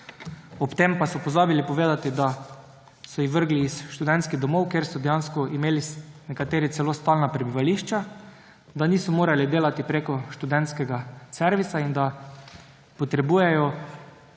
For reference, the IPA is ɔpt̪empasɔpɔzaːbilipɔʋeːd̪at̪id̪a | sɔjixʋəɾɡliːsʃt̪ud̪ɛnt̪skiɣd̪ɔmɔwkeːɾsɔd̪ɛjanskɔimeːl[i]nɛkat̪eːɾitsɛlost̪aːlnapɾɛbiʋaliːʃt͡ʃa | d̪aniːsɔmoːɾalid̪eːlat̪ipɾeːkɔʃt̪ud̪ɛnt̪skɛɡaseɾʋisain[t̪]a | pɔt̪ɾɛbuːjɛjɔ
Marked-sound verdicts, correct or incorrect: correct, incorrect

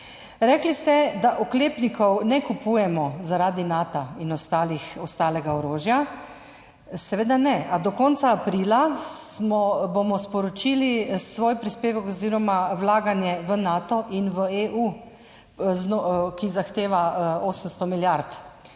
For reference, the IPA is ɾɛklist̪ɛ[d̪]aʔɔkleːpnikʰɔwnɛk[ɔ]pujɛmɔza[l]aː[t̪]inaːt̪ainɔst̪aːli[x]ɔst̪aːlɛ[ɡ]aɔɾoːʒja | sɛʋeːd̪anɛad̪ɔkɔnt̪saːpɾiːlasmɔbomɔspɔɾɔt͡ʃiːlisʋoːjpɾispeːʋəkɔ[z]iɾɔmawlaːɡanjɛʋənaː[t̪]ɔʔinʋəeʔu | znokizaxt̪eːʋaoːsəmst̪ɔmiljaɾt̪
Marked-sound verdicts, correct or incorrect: correct, incorrect, incorrect, incorrect, correct, correct, correct, correct

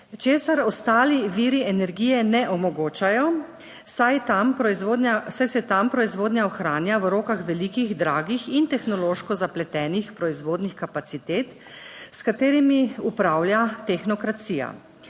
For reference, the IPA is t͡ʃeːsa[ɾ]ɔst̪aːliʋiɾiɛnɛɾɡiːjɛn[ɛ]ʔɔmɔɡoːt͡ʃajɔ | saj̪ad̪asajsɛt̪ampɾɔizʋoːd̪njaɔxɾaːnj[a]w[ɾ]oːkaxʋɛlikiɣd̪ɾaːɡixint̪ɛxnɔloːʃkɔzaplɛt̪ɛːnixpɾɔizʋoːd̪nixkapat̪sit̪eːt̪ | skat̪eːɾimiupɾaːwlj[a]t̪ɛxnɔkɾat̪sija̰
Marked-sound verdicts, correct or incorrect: correct, correct, correct, correct, correct

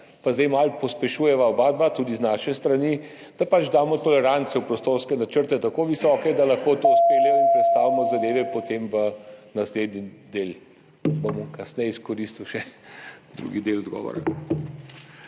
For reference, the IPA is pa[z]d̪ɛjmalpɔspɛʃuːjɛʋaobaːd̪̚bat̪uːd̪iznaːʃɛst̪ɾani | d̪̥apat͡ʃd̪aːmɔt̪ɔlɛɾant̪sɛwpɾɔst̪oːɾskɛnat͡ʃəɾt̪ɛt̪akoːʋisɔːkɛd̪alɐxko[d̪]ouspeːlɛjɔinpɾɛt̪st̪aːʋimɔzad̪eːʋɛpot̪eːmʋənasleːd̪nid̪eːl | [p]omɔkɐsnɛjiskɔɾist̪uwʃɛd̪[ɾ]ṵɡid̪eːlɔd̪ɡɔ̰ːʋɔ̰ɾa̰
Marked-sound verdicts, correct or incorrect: correct, incorrect, incorrect, correct

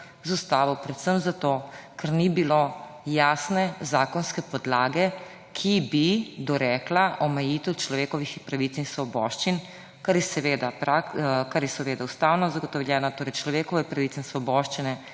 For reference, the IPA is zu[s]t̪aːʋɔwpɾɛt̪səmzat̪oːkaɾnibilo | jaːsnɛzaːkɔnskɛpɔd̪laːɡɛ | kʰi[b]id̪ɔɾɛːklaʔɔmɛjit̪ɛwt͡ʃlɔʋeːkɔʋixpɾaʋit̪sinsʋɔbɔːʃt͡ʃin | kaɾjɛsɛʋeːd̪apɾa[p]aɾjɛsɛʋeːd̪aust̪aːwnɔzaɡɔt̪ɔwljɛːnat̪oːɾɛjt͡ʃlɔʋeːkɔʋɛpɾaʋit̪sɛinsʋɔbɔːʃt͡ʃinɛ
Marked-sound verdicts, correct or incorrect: correct, correct, incorrect

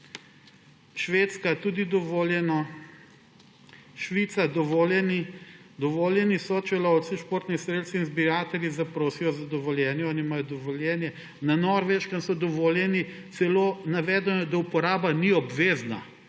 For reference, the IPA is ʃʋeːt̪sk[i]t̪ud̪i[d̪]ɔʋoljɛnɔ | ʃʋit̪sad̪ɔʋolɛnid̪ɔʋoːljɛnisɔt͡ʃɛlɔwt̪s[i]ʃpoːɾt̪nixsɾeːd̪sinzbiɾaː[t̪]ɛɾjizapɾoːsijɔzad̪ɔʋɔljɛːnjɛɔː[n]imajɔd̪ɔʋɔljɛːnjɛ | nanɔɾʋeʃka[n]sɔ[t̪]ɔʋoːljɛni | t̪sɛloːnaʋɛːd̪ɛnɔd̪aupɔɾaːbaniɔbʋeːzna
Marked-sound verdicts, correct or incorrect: incorrect, correct, correct, correct, correct, correct, incorrect

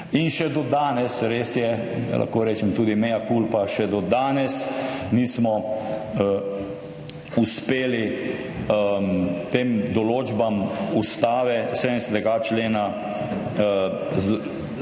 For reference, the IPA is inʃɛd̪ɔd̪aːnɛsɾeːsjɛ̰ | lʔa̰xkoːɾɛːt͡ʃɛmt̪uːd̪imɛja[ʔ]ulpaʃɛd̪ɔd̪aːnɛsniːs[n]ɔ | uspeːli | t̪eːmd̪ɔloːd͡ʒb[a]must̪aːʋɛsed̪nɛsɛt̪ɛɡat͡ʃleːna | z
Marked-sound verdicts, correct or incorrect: incorrect, incorrect, correct

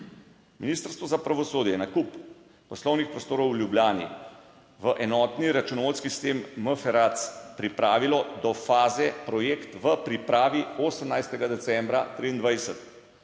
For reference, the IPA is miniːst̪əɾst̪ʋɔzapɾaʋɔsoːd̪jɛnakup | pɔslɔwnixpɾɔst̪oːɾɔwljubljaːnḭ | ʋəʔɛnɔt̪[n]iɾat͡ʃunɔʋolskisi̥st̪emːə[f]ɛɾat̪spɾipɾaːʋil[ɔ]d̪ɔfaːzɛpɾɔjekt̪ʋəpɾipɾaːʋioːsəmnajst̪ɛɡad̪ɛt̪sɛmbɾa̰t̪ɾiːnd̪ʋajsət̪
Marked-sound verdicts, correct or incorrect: correct, correct, correct

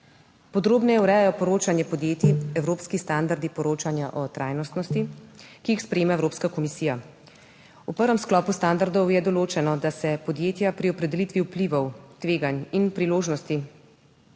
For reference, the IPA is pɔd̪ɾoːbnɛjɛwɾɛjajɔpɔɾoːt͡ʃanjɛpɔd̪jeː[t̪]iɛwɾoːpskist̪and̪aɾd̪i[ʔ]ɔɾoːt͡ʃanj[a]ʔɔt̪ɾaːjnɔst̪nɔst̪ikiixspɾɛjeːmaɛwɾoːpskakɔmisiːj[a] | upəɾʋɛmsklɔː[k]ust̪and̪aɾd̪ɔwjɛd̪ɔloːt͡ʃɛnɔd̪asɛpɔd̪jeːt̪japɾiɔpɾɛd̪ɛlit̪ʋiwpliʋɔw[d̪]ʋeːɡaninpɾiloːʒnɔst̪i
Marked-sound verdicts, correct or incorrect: correct, incorrect, correct, correct, incorrect, incorrect

